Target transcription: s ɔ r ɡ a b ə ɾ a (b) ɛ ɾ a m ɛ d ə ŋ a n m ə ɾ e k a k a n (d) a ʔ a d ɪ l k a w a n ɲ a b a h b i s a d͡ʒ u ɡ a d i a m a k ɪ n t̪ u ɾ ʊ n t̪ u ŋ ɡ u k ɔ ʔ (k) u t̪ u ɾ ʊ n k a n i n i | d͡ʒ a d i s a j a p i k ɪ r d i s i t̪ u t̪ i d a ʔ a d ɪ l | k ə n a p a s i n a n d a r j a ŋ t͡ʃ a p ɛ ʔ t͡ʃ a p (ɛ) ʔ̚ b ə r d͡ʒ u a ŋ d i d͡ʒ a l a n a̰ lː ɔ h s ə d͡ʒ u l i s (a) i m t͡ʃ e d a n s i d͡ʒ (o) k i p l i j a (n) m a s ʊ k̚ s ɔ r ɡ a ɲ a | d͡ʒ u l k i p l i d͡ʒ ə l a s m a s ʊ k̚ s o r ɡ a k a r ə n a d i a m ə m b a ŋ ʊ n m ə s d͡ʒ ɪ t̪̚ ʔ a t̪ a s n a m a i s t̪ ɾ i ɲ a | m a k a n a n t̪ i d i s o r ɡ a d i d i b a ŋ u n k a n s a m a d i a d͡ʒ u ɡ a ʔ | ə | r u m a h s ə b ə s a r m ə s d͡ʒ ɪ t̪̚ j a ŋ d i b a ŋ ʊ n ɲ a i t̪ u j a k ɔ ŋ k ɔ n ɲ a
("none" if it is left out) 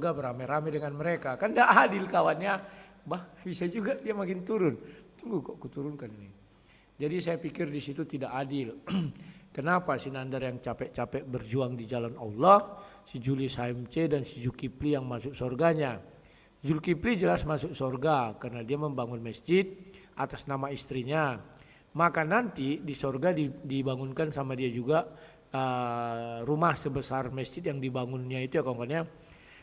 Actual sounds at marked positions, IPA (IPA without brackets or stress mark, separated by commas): m, d, k, ɛ, a, u, ŋ